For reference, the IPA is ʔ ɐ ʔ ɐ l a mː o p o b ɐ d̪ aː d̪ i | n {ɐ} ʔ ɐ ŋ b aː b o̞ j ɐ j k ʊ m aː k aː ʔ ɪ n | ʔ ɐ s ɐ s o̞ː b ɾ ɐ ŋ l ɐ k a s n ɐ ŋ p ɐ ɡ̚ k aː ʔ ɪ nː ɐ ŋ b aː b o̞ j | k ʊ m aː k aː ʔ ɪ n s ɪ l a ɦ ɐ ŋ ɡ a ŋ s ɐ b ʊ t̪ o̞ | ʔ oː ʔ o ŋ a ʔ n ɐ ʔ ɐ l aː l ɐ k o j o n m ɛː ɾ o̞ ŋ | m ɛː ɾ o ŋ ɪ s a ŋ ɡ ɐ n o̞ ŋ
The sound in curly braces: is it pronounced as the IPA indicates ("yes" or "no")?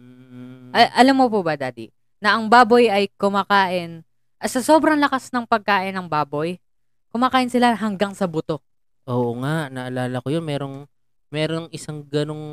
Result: yes